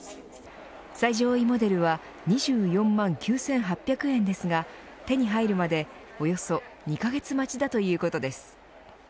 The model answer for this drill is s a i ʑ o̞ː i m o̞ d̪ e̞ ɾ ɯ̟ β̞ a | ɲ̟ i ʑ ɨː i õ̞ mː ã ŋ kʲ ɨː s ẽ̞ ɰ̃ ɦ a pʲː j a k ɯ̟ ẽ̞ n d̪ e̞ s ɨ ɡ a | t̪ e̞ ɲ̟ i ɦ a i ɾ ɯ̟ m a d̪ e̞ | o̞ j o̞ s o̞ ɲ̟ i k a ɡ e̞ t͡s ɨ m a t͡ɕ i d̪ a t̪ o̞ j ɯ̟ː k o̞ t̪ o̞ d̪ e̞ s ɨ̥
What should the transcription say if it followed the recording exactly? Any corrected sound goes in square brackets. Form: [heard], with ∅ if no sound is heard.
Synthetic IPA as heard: s a i ʑ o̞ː i m o̞ d̪ e̞ ɾ ɯ̟ β̞ a | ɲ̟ i ʑ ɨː [j] õ̞ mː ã ŋ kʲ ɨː s ẽ̞ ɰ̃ ɦ a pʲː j a k ɯ̟ ẽ̞ n d̪ e̞ s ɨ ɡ a | t̪ e̞ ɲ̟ i ɦ a i ɾ ɯ̟ m a d̪ e̞ | o̞ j o̞ s o̞ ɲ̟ i k a ɡ e̞ t͡s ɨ m a t͡ɕ i d̪ a t̪ o̞ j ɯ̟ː k o̞ t̪ o̞ d̪ e̞ s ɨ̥